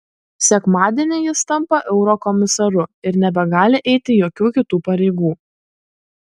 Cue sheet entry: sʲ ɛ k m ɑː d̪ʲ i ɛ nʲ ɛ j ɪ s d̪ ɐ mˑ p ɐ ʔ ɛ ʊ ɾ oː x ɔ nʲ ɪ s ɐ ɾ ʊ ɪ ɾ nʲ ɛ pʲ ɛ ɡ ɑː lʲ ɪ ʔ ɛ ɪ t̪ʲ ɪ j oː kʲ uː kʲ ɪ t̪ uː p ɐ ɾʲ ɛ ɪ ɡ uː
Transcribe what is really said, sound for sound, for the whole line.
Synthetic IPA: sʲ ɛ k m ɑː d̪ʲ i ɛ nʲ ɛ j ɪ s t̪ ɐ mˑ p ɐ ʔ ɛ ʊ ɾ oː k ɔ mʲ ɪ s ɐ ɾ ʊ ɪ ɾ nʲ ɛ bʲ ɛ ɡ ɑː lʲ ɪ ʔ ɛ ɪ t̪ʲ ɪ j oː kʲ uː kʲ ɪ t̪ uː p ɐ ɾʲ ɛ ɪ ɡ uː